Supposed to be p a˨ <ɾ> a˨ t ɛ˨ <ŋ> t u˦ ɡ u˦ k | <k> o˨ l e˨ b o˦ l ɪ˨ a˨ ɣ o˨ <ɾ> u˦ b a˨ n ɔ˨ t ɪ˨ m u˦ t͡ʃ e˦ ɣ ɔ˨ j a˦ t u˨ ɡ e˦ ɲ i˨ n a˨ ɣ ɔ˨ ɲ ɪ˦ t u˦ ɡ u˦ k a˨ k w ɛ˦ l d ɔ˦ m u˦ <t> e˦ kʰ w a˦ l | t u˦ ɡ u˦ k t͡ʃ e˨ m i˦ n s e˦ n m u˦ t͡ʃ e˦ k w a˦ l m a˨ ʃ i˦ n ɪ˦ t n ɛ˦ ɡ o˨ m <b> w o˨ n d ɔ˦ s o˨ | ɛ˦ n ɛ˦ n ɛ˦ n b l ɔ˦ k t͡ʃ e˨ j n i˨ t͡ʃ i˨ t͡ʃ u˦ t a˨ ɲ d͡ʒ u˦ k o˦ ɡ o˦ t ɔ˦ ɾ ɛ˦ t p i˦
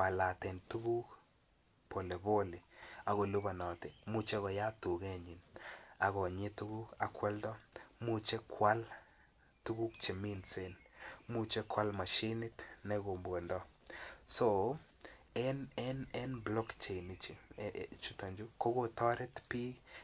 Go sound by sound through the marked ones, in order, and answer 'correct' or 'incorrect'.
incorrect: l, incorrect: n, incorrect: p, incorrect: l, incorrect: t͡ʃ, correct

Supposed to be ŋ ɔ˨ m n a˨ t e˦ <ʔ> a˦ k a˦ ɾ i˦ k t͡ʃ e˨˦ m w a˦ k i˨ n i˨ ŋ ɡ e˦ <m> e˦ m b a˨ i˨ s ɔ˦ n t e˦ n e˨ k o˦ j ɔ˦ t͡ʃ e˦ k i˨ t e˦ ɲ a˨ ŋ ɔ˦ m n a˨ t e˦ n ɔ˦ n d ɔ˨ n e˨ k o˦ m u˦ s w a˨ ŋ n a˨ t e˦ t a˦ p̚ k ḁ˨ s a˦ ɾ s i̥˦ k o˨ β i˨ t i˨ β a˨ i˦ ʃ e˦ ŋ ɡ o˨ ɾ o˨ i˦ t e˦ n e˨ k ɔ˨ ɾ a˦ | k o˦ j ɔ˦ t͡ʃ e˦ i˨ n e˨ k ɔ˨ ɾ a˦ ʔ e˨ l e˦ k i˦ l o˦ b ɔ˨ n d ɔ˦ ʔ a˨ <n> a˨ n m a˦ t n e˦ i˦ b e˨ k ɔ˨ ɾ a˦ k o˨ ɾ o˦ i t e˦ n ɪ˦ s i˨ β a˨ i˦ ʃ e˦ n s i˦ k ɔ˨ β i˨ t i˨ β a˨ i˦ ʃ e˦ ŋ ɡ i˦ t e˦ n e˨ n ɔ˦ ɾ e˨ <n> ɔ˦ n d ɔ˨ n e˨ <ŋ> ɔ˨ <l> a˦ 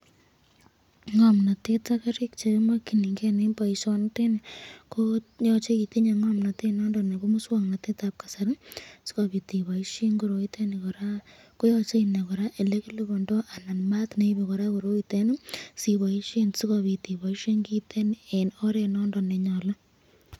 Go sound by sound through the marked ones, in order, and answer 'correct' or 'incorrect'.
incorrect: t, incorrect: n, correct, correct, incorrect: ɲ, correct

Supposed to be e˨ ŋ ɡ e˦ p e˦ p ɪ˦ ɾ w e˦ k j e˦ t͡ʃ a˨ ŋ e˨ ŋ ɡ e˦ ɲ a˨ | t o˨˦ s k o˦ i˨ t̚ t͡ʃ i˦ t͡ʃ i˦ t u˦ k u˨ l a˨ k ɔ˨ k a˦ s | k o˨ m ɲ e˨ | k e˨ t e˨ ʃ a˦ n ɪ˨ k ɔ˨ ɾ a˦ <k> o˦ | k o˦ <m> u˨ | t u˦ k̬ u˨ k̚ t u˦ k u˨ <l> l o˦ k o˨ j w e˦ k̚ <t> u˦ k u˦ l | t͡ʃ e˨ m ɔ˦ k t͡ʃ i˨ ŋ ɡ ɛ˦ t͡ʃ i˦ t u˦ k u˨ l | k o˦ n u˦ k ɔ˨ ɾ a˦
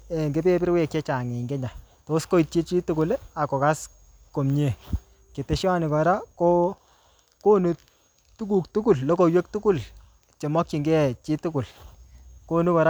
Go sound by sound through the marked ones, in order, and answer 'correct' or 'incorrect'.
correct, incorrect: n, correct, correct

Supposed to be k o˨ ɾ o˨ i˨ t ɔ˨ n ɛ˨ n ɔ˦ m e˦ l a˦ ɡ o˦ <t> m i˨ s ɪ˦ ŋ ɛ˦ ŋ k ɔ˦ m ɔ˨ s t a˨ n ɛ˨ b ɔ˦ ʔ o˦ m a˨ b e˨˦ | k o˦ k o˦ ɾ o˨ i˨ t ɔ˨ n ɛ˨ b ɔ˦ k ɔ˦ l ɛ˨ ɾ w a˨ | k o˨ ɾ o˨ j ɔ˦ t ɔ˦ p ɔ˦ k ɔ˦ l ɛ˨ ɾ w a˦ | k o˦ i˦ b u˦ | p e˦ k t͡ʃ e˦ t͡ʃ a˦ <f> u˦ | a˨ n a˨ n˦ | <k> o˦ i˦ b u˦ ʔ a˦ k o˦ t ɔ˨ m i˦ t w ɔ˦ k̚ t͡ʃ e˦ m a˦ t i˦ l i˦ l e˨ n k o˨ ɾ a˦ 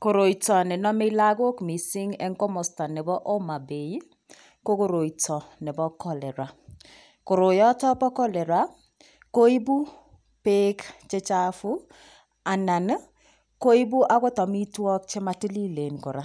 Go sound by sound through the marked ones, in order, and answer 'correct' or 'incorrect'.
incorrect: k, correct, correct

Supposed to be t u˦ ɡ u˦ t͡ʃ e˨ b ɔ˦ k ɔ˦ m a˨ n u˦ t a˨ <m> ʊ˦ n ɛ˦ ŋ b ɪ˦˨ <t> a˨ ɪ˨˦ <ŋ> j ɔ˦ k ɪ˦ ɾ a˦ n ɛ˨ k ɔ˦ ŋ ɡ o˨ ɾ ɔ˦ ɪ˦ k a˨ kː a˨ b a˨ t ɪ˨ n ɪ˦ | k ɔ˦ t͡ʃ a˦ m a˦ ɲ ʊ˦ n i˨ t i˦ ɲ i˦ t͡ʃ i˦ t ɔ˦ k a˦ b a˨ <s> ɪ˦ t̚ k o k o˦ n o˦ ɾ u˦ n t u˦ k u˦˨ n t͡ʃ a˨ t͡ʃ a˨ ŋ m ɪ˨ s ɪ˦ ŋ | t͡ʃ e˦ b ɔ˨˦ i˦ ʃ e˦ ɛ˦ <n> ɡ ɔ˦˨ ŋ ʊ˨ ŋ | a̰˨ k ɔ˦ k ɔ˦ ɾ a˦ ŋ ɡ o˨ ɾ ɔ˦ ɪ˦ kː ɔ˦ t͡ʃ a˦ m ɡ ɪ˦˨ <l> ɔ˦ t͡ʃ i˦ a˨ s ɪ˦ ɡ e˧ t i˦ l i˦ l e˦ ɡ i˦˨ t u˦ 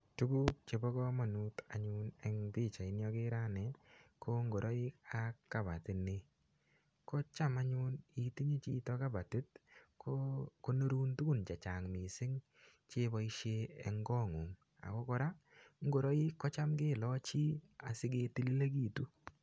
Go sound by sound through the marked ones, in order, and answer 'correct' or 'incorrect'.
incorrect: ɲ, incorrect: t͡ʃ, incorrect: n, incorrect: t, incorrect: ŋ, correct

